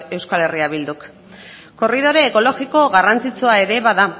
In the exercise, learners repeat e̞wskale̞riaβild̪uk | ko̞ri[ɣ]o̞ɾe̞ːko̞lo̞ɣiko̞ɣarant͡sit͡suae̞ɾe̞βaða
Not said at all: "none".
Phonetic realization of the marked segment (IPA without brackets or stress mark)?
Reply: ð